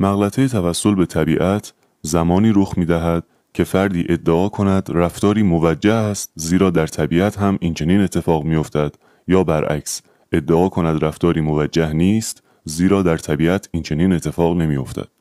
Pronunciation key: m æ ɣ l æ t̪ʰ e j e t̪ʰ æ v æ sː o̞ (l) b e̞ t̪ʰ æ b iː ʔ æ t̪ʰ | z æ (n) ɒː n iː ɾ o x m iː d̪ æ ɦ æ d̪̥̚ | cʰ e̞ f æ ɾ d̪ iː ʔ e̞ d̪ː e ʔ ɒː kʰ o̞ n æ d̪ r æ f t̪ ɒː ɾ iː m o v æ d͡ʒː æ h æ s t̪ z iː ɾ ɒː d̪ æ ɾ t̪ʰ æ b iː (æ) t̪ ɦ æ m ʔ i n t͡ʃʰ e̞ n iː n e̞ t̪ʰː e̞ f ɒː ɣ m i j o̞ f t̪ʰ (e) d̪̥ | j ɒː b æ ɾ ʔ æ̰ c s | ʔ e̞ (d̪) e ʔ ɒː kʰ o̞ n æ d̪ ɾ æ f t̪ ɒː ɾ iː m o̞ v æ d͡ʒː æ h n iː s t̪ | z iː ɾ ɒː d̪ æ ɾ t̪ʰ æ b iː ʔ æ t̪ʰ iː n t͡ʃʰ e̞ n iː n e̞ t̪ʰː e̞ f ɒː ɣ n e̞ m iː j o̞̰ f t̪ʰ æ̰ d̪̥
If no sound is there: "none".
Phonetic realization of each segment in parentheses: l, m, æ, æ, d̪ː

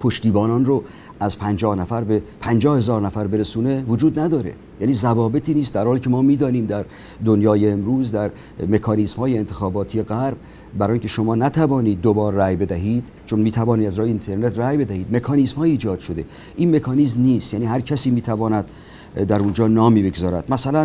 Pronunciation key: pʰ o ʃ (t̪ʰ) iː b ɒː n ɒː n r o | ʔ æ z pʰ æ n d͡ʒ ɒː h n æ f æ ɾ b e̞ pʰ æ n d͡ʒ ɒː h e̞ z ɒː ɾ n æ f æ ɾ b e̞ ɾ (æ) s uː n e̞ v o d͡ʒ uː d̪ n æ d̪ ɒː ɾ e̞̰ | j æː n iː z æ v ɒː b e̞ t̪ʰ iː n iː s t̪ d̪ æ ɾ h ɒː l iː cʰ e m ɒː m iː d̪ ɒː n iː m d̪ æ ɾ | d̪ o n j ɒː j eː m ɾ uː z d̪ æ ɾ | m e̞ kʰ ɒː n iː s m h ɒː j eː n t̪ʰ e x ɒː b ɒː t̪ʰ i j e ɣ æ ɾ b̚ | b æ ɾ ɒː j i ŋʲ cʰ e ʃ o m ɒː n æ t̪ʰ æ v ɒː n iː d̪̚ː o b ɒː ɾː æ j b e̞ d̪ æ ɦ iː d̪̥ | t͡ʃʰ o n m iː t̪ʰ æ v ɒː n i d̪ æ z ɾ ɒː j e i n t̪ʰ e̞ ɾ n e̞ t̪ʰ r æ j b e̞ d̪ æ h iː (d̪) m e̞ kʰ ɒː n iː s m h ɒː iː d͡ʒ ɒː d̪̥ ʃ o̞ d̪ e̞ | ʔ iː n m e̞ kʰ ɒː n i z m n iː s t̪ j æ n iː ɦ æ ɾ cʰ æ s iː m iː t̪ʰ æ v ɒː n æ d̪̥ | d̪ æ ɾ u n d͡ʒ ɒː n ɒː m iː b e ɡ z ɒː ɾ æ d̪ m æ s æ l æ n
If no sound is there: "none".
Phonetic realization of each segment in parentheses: t̪, e, d̪

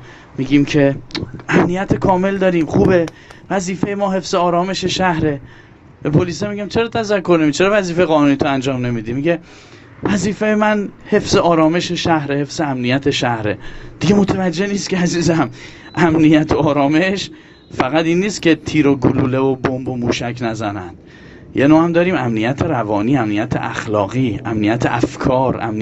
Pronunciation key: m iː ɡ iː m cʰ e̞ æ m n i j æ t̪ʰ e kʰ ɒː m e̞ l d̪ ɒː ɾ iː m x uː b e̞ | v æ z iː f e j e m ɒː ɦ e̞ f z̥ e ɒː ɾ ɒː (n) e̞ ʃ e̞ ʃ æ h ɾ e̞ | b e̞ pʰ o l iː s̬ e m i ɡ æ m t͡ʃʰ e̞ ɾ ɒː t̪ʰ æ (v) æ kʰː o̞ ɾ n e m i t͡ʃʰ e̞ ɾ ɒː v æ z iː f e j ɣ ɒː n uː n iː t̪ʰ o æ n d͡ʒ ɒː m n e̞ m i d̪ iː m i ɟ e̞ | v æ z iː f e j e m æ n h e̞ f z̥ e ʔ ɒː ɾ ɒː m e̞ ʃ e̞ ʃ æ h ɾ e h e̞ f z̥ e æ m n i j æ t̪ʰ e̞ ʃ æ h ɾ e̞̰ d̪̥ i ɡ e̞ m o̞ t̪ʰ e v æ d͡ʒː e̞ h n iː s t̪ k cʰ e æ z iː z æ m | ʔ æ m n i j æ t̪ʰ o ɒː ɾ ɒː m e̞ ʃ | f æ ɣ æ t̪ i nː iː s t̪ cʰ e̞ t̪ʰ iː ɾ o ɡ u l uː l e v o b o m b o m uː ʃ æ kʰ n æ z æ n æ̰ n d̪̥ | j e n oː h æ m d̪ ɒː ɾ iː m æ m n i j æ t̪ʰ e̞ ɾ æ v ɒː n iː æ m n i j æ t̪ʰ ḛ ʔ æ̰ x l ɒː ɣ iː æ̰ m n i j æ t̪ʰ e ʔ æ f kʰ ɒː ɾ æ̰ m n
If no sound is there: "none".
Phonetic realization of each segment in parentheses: m, z

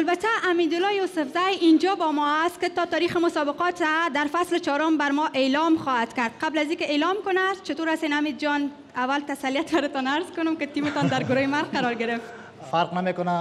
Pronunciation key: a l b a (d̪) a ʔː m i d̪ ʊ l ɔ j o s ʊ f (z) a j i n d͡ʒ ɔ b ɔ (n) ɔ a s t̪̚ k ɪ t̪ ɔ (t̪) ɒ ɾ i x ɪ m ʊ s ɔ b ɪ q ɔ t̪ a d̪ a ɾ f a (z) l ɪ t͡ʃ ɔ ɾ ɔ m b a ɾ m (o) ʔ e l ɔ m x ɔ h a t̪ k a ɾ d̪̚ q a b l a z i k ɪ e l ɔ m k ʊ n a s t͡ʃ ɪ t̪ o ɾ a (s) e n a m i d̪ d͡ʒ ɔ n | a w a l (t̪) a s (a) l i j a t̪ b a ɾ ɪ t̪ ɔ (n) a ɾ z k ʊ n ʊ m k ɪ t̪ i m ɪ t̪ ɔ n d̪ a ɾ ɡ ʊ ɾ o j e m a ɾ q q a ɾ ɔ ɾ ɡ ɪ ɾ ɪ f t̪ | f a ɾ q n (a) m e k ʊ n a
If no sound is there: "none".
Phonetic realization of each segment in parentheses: t̪, z, m, t̪, s, ɔ, s, t̪, a, n, a

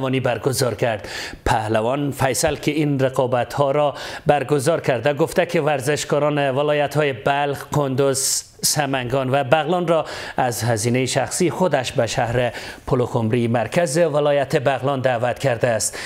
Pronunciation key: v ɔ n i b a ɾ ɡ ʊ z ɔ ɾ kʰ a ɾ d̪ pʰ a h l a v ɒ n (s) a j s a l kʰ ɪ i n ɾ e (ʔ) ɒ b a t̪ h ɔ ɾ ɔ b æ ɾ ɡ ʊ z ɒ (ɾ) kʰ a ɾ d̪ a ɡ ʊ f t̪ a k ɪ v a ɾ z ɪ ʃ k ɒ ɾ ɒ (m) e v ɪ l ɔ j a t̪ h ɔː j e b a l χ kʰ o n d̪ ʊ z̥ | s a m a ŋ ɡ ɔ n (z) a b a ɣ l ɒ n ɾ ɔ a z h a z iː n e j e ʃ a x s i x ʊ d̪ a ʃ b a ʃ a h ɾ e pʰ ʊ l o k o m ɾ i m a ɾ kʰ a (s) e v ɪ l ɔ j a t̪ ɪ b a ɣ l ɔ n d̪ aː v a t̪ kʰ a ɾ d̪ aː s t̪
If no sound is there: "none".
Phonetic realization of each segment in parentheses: f, q, ɾ, n, v, z

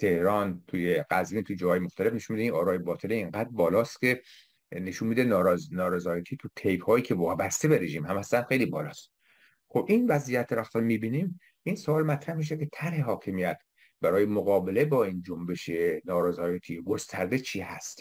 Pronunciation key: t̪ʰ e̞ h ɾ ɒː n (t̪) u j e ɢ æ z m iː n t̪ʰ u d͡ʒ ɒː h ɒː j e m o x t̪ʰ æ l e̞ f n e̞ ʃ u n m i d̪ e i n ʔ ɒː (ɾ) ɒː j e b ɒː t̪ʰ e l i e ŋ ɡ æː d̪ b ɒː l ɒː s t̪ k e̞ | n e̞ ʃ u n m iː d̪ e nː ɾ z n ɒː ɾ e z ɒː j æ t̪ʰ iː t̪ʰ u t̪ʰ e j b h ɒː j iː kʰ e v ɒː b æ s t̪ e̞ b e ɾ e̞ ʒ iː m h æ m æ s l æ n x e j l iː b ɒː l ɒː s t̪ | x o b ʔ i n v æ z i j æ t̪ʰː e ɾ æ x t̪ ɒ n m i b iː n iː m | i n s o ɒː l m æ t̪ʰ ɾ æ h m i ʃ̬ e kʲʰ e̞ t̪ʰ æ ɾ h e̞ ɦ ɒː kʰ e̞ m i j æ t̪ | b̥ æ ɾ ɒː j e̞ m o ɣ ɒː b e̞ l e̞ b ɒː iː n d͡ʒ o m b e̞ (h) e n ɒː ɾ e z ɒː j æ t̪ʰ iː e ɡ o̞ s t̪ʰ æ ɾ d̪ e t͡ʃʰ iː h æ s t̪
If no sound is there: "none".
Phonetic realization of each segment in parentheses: t̪ʰ, ɾ, ʃ

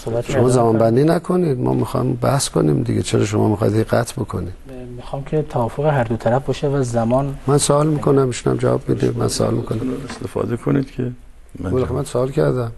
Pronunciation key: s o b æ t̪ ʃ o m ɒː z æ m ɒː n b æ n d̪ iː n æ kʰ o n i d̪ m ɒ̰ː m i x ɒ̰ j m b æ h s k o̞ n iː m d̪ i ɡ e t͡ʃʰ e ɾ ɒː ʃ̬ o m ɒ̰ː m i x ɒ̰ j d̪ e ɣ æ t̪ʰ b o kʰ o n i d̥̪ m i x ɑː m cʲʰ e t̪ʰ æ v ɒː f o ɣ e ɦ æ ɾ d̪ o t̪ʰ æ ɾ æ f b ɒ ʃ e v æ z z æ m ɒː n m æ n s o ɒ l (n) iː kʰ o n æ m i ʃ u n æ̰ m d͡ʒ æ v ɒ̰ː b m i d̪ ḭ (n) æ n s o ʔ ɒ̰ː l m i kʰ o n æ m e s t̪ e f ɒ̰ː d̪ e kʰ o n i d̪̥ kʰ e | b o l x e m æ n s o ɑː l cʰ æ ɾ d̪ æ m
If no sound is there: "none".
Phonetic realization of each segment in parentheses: m, m

